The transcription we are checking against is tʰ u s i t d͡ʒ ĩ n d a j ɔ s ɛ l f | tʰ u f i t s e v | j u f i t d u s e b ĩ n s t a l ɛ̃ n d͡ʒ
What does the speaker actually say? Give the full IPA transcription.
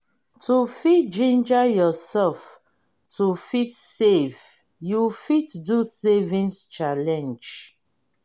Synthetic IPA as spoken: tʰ u f i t d͡ʒ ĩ n d͡ʒ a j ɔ s ɛ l f | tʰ u f i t s e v | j u f i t d u s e v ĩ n s t͡ʃ a l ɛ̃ n d͡ʒ